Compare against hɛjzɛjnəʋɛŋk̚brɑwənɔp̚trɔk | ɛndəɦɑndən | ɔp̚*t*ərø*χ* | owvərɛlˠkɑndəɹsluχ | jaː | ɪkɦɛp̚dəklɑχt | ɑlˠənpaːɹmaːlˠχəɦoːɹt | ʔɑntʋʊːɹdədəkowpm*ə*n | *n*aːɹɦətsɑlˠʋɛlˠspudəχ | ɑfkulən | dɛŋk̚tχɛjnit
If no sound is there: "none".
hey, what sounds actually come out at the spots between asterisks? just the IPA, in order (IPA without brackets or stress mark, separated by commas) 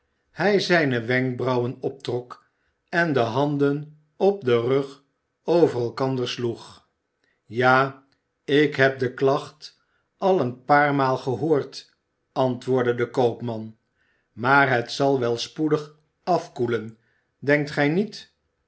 d, χ, ɑ, m